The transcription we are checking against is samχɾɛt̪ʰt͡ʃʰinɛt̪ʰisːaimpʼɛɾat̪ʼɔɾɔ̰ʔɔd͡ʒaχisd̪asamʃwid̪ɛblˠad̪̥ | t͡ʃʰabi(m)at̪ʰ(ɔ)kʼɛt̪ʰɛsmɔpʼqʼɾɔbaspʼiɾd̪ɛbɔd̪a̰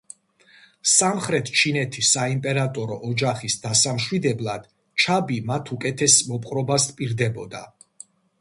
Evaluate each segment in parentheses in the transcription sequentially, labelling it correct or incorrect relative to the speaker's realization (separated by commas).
correct, incorrect